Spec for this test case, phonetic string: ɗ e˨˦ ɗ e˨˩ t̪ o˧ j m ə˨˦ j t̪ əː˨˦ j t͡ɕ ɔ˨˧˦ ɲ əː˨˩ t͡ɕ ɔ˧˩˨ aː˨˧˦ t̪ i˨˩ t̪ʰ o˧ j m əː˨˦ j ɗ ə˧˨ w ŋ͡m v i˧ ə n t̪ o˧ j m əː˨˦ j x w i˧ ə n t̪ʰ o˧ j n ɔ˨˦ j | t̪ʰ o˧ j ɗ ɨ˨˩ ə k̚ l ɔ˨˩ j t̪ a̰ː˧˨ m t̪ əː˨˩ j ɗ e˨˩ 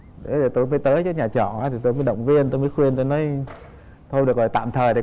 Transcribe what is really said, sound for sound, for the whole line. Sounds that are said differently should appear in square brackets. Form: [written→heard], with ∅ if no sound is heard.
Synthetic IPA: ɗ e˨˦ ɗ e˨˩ t̪ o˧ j m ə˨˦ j t̪ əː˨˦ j t͡ɕ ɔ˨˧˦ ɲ [əː˨˩→aː˨˩] t͡ɕ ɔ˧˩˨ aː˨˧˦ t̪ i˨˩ [t̪ʰ→t̪] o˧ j m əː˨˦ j ɗ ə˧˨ w ŋ͡m v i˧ ə n t̪ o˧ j m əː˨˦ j x w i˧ ə n [t̪ʰ→t̪] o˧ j n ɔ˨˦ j | t̪ʰ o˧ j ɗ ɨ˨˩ ə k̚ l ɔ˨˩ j t̪ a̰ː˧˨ m [t̪→t̪ʰ] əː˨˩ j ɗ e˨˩

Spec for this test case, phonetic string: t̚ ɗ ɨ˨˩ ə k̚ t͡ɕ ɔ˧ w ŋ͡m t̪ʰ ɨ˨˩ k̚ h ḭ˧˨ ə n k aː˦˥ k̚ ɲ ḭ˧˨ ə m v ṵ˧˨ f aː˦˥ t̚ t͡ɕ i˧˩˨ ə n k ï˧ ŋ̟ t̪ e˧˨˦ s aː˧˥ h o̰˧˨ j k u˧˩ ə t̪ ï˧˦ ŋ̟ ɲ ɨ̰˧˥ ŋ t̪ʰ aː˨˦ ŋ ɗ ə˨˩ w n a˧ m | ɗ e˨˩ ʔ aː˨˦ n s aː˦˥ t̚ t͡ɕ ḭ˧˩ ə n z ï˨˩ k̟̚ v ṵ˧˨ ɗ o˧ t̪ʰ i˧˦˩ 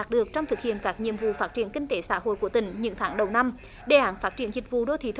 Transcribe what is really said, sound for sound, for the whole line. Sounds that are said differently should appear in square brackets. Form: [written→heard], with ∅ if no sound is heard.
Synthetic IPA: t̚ ɗ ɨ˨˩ ə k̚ t͡ɕ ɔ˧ w ŋ͡m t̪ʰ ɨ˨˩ k̚ h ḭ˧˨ ə n k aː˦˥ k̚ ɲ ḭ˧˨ ə m v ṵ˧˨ f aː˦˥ t̚ t͡ɕ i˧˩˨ ə n k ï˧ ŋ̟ t̪ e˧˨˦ s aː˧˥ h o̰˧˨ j k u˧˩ ə t̪ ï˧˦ ŋ̟ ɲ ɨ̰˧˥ ŋ t̪ʰ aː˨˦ ŋ ɗ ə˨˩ w n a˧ m | ɗ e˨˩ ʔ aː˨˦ n [s→f] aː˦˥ t̚ t͡ɕ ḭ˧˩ ə n z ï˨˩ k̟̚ v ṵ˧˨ ɗ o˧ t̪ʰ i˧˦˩

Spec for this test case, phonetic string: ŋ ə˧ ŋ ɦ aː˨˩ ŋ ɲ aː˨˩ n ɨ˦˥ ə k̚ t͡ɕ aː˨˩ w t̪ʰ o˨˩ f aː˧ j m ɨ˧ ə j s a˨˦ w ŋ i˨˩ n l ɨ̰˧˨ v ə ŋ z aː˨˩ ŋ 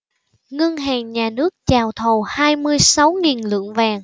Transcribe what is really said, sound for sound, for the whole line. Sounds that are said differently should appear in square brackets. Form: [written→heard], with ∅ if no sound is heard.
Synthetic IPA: ŋ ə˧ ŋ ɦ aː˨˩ ŋ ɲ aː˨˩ n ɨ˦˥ ə k̚ t͡ɕ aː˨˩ w t̪ʰ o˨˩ [f→h] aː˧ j m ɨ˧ ə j s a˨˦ w ŋ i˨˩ n l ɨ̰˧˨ [v→∅] ə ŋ [z→v] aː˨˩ ŋ

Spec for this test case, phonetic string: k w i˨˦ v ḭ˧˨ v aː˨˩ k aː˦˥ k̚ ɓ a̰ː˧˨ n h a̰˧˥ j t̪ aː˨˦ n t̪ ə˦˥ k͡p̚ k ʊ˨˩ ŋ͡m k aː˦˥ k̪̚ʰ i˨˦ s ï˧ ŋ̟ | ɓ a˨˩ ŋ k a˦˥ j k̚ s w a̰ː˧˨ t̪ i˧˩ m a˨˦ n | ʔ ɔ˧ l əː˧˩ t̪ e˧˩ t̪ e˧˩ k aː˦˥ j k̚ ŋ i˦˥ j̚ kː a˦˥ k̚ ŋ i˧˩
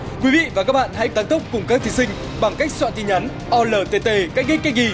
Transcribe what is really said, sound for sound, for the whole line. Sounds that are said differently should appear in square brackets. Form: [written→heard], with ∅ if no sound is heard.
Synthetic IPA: k w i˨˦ v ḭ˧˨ v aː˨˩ k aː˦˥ k̚ ɓ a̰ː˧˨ n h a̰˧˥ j t̪ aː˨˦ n t̪ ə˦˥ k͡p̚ k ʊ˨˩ ŋ͡m k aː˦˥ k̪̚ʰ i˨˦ s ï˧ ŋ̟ | ɓ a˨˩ ŋ k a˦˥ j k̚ s w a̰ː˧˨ t̪ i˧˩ [m→ɲ] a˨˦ n | ʔ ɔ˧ l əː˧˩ t̪ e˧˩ t̪ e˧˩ k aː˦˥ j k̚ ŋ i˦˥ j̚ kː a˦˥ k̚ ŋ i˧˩

